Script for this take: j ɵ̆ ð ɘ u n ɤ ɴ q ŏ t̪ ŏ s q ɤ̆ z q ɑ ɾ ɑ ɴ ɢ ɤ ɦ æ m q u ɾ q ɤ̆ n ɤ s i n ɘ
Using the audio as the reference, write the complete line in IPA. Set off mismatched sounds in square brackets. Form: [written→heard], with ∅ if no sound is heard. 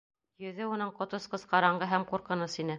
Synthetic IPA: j ɵ̆ ð ɘ u n ɤ ɴ q ŏ t̪ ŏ s q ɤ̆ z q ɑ ɾ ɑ ɴ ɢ ɤ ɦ æ m q u ɾ q ɤ̆ n ɤ s i n ɘ